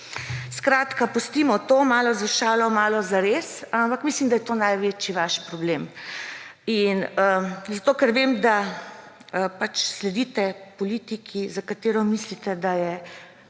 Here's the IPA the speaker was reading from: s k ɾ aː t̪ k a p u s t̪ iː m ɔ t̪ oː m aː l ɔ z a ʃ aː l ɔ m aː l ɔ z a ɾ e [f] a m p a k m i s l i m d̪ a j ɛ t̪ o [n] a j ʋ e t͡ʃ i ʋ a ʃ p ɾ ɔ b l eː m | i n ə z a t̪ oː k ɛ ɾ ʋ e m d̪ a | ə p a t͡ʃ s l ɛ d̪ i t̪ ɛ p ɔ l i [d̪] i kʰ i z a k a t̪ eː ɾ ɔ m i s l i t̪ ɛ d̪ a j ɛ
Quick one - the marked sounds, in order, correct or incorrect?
incorrect, correct, incorrect

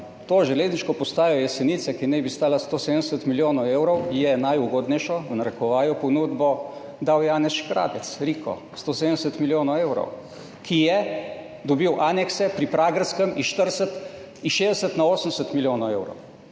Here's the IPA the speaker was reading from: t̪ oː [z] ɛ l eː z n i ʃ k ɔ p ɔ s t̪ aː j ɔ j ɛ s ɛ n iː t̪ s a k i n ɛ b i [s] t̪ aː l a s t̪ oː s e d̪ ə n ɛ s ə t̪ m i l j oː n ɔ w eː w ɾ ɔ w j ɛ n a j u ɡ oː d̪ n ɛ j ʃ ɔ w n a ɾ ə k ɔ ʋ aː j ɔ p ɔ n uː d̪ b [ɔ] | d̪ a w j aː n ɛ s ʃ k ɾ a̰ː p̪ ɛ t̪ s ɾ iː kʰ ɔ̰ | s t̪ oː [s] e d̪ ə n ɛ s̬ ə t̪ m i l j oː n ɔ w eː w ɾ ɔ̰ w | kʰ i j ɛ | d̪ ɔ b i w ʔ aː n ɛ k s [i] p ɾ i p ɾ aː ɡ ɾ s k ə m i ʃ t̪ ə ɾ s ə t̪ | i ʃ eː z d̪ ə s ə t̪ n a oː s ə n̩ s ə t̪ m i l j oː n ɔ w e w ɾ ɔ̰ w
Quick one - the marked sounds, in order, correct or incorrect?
incorrect, correct, correct, correct, incorrect

